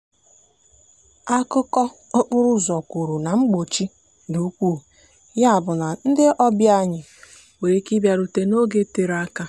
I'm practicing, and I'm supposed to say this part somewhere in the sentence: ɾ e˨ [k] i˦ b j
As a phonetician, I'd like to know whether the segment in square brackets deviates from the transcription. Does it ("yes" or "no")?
no